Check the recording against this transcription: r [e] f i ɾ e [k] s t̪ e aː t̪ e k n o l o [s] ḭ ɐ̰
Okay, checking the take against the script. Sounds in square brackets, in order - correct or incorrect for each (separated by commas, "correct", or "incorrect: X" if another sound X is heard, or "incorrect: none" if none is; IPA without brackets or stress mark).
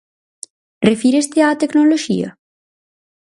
correct, incorrect: none, incorrect: ʃ